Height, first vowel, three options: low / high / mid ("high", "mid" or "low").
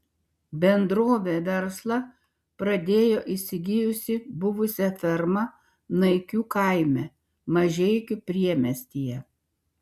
mid